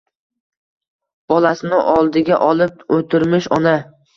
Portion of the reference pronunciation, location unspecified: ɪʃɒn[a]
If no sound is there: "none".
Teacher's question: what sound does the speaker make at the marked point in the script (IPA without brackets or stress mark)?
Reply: a